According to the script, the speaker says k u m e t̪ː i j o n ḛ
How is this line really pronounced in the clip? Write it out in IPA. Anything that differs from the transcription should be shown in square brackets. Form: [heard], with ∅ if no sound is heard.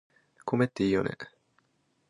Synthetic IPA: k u m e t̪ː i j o n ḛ